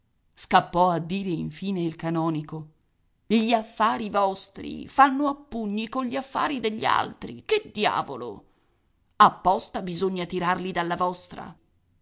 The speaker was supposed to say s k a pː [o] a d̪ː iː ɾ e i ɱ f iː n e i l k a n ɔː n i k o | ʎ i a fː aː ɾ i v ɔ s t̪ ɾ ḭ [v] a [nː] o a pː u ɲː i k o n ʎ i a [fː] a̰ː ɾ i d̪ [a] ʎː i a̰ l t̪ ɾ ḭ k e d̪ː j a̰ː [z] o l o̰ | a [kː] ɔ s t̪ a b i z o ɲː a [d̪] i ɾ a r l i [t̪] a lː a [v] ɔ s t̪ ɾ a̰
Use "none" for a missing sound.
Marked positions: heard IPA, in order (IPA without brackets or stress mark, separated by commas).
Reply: ɔ, f, nː, fː, e, v, pː, t̪, d̪, v